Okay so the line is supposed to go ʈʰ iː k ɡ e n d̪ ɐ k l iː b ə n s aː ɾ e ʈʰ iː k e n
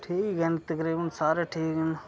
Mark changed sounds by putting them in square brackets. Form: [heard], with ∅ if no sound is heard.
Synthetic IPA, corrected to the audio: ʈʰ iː k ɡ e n [t̪] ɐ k [ɾ] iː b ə n s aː ɾ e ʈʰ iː k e n